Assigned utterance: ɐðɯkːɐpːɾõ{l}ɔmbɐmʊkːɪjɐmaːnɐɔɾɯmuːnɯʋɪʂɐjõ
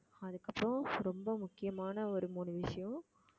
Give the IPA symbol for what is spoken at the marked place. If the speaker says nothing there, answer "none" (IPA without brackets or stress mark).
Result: ɾ